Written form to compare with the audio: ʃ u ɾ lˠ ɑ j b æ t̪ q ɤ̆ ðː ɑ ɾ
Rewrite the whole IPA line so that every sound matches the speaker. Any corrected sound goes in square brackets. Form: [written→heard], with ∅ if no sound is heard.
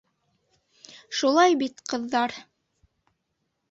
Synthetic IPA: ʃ u [ɾ→∅] lˠ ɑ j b [æ→i] t̪ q ɤ̆ ðː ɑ ɾ

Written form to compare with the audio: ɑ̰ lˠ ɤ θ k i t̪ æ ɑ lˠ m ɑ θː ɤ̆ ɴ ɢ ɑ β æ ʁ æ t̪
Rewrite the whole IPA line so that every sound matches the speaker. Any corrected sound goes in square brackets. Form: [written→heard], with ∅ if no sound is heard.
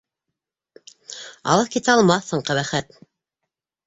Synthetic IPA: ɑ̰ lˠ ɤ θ k i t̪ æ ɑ lˠ m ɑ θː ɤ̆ ɴ [ɢ→q] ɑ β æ [ʁ→χ] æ t̪

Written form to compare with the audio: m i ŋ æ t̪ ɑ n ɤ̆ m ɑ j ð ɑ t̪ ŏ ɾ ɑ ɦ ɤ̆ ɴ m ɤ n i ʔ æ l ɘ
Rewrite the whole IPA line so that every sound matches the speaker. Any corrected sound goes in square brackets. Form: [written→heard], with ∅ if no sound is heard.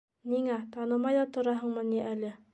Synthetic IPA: [m→n] i ŋ æ t̪ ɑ n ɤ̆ m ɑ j ð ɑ t̪ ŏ ɾ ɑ ɦ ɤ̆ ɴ m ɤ n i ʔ æ l ɘ

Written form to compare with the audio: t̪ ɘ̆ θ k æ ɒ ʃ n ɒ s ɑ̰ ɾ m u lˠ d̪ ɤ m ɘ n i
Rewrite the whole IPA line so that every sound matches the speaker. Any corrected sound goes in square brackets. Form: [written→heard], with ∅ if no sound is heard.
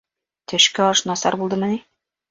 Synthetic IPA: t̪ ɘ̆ [θ→ʃ] k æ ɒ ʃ n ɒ s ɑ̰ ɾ [m→b] u lˠ d̪ ɤ m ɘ n i

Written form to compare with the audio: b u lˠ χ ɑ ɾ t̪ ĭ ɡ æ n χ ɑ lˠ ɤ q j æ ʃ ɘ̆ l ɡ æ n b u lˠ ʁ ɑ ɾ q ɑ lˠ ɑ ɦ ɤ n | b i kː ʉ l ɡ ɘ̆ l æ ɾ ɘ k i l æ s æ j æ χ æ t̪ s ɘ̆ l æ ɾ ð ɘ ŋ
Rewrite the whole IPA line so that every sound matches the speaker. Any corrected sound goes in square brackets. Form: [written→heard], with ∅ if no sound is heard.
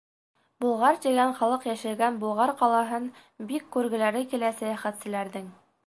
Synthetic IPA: b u lˠ [χ→ʁ] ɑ ɾ t̪ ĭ ɡ æ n χ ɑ lˠ ɤ q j æ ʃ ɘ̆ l ɡ æ n b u lˠ ʁ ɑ ɾ q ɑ lˠ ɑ ɦ ɤ n | b i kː ʉ [l→ɾ] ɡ ɘ̆ l æ ɾ ɘ k i l æ s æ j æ χ æ t̪ s ɘ̆ l æ ɾ ð ɘ ŋ

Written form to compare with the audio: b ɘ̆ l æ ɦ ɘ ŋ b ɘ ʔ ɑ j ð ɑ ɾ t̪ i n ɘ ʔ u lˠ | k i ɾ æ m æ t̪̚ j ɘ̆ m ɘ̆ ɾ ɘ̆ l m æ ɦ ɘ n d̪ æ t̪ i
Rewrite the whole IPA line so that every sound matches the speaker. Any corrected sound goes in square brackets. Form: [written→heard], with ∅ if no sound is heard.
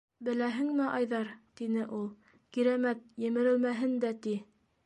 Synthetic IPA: b ɘ̆ l æ ɦ ɘ ŋ [b→m] ɘ ʔ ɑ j ð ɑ ɾ t̪ i n ɘ ʔ u lˠ | k i ɾ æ m æ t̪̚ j ɘ̆ m ɘ̆ ɾ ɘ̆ l m æ ɦ ɘ n d̪ æ t̪ i

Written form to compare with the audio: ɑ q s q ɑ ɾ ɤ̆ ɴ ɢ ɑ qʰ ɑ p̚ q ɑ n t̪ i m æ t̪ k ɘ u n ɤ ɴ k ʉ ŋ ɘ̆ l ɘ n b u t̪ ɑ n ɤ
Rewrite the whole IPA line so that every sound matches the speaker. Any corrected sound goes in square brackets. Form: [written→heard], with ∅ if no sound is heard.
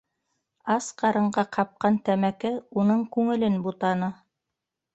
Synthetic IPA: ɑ [q→∅] s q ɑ ɾ ɤ̆ ɴ ɢ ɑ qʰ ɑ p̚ q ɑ n t̪ [i→æ] m æ [t̪→∅] k ɘ u n ɤ ɴ k ʉ ŋ ɘ̆ l ɘ n b u t̪ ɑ n ɤ

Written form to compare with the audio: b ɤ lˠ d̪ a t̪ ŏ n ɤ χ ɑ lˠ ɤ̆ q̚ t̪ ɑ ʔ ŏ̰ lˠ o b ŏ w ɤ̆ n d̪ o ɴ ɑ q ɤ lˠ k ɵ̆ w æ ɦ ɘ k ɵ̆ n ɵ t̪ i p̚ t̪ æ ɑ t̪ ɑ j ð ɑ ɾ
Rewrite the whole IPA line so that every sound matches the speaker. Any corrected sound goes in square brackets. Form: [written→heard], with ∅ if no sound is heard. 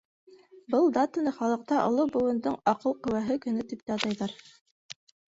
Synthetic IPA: b ɤ lˠ d̪ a t̪ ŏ n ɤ χ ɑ lˠ ɤ̆ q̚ t̪ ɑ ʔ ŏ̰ lˠ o b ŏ w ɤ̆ n d̪ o ɴ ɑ q ɤ lˠ [k→q] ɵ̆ w æ ɦ ɘ k ɵ̆ n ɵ t̪ i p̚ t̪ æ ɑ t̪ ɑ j ð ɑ ɾ

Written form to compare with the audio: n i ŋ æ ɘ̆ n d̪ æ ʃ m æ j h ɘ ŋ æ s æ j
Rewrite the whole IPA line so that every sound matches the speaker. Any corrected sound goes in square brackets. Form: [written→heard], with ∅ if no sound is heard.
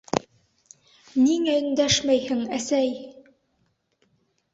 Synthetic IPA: n i ŋ æ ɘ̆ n d̪ æ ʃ m æ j h ɘ ŋ æ s æ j

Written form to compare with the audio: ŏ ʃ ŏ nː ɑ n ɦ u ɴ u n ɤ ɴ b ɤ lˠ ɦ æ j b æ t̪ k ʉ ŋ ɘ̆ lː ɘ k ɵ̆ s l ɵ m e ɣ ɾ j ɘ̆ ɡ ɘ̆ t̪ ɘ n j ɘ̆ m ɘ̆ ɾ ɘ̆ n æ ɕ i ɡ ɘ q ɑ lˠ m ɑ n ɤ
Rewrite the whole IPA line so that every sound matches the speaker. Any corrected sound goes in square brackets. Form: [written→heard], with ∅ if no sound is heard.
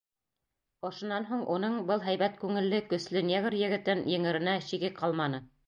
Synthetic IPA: ŏ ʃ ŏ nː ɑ n ɦ u ɴ u n ɤ ɴ b ɤ lˠ ɦ æ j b æ t̪ k ʉ ŋ ɘ̆ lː ɘ k ɵ̆ s l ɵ [m→n] e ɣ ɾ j ɘ̆ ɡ ɘ̆ t̪ ɘ n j ɘ̆ [m→ŋ] ɘ̆ ɾ ɘ̆ n æ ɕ i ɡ ɘ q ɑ lˠ m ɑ n ɤ

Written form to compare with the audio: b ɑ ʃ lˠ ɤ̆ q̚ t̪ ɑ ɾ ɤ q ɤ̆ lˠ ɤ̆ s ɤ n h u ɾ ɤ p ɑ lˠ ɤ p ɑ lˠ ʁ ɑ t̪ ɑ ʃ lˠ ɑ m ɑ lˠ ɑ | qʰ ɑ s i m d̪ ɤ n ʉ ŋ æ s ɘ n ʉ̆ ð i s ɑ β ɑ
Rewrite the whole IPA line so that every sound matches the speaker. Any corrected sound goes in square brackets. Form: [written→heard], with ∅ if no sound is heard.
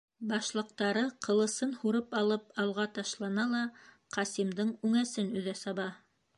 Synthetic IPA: b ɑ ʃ lˠ ɤ̆ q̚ t̪ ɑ ɾ ɤ q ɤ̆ lˠ ɤ̆ s ɤ n h u ɾ ɤ p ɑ lˠ ɤ p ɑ lˠ ʁ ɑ t̪ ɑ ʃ lˠ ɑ [m→n] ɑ lˠ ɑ | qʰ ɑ s i m d̪ ɤ [n→ɴ] ʉ ŋ æ s ɘ n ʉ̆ ð [i→æ] s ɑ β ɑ

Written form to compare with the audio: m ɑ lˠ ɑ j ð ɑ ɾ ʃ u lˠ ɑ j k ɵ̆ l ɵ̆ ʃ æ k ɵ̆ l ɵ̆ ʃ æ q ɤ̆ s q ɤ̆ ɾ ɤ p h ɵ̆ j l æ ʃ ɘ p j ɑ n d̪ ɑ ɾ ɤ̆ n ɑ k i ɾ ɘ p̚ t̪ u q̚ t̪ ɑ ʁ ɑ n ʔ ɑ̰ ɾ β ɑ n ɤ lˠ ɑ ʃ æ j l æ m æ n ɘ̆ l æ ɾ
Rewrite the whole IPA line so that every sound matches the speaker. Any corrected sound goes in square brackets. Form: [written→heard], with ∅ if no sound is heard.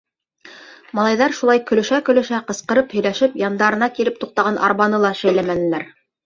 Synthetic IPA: m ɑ lˠ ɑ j ð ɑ ɾ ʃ u lˠ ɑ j k ɵ̆ l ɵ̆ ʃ æ k ɵ̆ l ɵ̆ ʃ æ q ɤ̆ s q ɤ̆ ɾ ɤ p h ɵ̆ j l æ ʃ ɘ p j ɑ n d̪ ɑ ɾ ɤ̆ n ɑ k i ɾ ɘ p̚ t̪ u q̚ t̪ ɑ ʁ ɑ n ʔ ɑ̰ ɾ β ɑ n ɤ lˠ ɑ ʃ æ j l æ m æ n ɘ̆ l æ ɾ

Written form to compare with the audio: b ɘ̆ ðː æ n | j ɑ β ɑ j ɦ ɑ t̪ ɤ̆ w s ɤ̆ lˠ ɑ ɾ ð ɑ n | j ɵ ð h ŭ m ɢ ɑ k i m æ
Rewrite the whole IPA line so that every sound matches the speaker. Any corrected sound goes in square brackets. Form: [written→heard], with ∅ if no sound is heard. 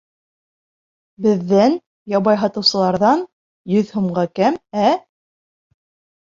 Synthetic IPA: b ɘ̆ ðː æ n | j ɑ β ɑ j ɦ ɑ t̪ ɤ̆ w s ɤ̆ lˠ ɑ ɾ ð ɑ n | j ɵ ð h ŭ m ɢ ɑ k [i→æ] m æ

